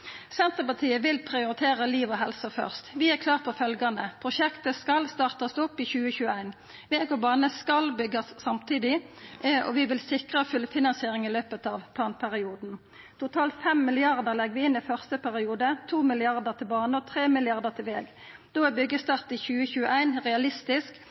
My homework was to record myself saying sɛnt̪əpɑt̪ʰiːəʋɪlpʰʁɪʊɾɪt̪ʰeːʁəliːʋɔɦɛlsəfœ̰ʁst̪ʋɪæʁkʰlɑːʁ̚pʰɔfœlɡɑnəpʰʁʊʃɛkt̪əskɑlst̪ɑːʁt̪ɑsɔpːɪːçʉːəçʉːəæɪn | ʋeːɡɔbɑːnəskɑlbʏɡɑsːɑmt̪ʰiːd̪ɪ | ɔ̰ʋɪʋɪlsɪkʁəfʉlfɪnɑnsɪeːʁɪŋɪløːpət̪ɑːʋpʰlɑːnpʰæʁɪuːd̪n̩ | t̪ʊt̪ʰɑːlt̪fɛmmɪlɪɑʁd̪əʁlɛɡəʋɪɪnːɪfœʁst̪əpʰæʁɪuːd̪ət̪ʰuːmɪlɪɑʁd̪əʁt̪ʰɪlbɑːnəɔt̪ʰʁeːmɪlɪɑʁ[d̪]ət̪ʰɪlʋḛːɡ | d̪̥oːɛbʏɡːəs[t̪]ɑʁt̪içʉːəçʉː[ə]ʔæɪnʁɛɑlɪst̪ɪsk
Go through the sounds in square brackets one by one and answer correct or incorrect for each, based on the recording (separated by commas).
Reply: correct, correct, correct